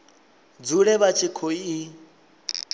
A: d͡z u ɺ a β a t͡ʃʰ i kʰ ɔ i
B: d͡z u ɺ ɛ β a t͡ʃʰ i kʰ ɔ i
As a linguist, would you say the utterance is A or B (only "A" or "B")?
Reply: B